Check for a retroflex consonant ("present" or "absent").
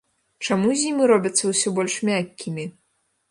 present